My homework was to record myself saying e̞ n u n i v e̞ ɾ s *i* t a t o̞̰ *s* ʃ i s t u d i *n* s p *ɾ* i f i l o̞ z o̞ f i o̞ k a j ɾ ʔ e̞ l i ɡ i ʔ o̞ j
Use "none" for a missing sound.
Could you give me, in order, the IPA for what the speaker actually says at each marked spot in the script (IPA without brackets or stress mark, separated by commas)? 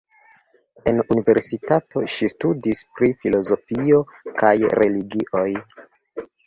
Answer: i, none, none, ɾ